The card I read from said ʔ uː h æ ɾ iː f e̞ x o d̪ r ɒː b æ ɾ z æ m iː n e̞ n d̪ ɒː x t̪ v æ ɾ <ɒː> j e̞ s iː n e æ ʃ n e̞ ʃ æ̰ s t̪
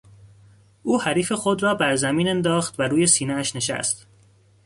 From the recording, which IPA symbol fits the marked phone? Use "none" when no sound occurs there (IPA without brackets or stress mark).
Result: uː